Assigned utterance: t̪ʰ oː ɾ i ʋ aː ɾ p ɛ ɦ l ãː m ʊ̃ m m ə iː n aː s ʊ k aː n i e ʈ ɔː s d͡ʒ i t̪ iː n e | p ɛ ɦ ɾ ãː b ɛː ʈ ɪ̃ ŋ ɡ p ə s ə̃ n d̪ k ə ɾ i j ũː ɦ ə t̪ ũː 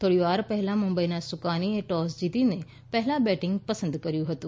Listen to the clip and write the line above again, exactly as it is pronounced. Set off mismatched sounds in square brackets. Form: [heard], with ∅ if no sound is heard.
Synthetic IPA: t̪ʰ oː [ɽ] i ʋ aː ɾ p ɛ ɦ l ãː m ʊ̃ m [b] ə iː n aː s ʊ k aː n i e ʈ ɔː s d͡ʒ i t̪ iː n e | p ɛ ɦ [l] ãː b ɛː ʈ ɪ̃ ŋ ɡ p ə s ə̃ n d̪ k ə ɾ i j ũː ɦ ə t̪ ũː